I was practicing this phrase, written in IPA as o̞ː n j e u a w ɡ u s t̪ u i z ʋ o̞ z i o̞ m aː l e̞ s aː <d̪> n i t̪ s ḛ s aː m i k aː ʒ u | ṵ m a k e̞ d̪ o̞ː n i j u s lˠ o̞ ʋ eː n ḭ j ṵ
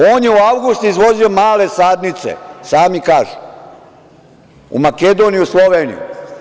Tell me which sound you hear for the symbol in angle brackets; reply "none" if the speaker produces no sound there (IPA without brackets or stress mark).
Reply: d̪